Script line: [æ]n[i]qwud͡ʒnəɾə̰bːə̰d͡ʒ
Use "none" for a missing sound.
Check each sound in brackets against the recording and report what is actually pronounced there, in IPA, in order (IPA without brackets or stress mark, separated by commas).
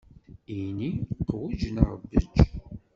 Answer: i, i